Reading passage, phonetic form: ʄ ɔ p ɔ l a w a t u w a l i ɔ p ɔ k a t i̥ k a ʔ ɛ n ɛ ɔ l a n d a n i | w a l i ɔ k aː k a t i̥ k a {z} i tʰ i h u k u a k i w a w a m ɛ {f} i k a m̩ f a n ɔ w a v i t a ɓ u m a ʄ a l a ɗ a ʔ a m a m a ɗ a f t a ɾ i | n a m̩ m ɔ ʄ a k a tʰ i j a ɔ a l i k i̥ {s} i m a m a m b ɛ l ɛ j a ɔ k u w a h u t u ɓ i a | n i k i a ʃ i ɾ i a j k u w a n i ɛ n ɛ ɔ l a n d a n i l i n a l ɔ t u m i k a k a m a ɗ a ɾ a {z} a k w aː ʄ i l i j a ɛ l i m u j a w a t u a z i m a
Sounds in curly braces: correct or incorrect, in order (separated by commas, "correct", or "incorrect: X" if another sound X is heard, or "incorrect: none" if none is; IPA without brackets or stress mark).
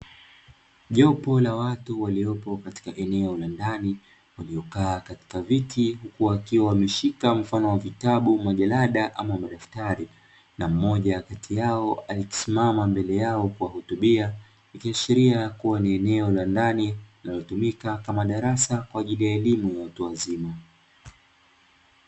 incorrect: v, incorrect: ʃ, correct, incorrect: s